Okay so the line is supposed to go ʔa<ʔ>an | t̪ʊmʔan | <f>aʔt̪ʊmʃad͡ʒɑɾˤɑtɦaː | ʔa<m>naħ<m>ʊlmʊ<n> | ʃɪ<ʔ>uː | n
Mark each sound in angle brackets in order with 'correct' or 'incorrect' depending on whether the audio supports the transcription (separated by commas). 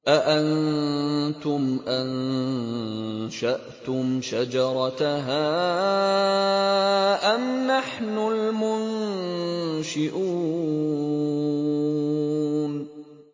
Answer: correct, incorrect, correct, incorrect, correct, correct